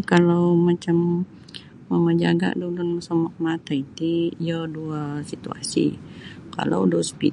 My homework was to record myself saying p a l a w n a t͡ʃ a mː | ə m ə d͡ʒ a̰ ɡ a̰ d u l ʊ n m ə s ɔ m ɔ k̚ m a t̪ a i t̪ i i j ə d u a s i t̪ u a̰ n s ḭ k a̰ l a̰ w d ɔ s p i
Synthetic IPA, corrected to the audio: k a l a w m a t͡ʃ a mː | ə m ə d͡ʒ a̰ ɡ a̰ d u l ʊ n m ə s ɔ m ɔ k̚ m a t̪ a i t̪ i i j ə d u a s i t̪ u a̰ s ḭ k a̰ l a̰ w d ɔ s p i